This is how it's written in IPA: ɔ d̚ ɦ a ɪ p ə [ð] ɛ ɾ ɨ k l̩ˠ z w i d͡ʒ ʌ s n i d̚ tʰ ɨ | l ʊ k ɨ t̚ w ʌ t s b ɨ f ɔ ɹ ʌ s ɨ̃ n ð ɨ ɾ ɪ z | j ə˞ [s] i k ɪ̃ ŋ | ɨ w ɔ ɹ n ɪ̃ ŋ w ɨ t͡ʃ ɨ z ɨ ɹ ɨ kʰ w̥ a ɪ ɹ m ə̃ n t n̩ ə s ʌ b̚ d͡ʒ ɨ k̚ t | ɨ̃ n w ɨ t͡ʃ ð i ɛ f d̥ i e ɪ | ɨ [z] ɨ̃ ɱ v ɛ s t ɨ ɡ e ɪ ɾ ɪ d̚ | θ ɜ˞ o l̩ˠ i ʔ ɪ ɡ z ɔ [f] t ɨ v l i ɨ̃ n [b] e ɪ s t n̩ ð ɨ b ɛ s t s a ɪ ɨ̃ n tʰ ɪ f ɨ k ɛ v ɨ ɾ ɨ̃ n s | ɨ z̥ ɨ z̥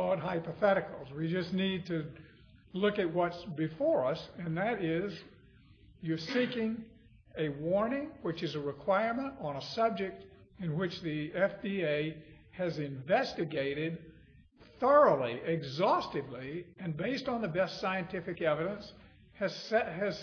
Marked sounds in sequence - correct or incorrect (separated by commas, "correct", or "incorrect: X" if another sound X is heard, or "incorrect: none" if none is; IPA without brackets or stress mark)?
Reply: incorrect: θ, correct, correct, incorrect: s, correct